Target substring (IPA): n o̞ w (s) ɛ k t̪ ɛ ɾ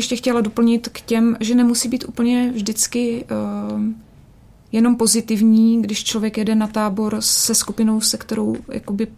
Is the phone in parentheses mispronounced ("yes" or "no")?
no